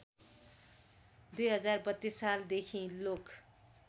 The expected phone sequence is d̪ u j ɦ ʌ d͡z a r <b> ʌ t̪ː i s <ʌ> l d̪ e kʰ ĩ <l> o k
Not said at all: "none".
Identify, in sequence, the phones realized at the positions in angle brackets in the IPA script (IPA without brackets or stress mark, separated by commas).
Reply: b, a, l